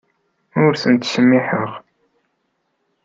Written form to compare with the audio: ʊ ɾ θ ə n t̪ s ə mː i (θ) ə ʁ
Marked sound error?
yes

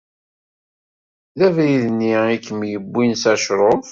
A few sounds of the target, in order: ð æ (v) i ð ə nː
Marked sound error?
no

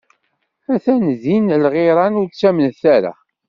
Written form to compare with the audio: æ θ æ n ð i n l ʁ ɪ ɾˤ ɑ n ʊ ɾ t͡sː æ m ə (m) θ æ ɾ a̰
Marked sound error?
yes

